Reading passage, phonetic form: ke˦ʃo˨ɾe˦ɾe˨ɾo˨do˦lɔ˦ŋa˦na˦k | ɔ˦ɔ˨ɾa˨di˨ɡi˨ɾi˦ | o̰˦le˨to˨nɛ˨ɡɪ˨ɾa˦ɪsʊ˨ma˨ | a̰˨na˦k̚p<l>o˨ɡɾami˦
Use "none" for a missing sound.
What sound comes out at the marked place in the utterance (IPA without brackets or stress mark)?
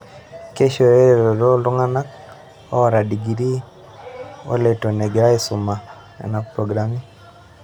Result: ɾ